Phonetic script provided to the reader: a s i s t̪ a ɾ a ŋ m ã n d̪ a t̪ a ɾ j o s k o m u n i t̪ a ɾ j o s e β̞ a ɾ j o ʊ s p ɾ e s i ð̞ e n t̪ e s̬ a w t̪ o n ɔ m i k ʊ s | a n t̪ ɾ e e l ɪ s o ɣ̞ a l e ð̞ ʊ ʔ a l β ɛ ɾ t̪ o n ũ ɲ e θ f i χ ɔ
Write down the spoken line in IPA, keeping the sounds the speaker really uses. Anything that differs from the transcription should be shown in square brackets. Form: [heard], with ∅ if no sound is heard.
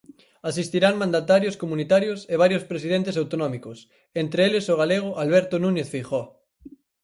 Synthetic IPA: a s i s t̪ [i] ɾ a ŋ m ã n d̪ a t̪ a ɾ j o s k o m u n i t̪ a ɾ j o s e β̞ a ɾ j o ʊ s p ɾ e s i ð̞ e n t̪ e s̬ a w t̪ o n ɔ m i k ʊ s | [e] n t̪ ɾ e e l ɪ s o ɣ̞ a l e [ɣ̞] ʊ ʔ a l β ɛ ɾ t̪ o n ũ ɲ e θ f i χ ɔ

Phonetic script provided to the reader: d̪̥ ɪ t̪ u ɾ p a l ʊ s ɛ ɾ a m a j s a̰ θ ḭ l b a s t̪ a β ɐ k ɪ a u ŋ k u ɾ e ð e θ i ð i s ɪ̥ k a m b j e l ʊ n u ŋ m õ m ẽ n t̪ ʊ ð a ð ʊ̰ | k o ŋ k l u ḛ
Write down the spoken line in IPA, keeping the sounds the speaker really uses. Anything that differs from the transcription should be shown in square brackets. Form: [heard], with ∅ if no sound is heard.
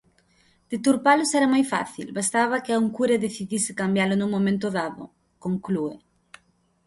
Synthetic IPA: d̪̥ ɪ t̪ u ɾ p a l ʊ s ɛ ɾ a m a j [f] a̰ θ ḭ l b a s t̪ a β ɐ k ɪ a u ŋ k u ɾ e ð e θ i ð i s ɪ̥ k a m b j [a] l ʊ n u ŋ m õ m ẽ n t̪ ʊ ð a ð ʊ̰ | k o ŋ k l u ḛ

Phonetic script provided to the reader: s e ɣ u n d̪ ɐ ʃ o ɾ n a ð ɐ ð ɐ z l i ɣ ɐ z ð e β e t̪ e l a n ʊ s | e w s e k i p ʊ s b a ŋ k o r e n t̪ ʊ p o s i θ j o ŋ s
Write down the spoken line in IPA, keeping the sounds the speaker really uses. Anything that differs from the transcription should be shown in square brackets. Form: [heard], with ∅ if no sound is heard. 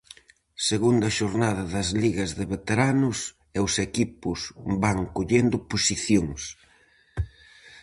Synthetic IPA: s e ɣ u n d̪ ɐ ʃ o ɾ n a ð ɐ ð ɐ z l i ɣ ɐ z ð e β e t̪ e [ɾ] a n ʊ s | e w s e k i p ʊ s b a ŋ k o [ʎ] e n [d̪] ʊ p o s i θ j o ŋ s

